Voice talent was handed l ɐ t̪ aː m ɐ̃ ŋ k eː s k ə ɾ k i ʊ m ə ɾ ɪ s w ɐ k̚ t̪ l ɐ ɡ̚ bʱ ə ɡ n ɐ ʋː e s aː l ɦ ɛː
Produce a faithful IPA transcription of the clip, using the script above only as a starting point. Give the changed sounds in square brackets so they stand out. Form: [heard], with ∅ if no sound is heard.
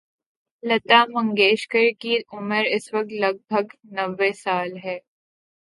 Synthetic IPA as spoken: l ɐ t̪ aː m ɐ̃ ŋ [ɡ] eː [ʃ] k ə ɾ k i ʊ m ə ɾ ɪ s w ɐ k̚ t̪ l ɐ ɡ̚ bʱ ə ɡ n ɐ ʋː e s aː l ɦ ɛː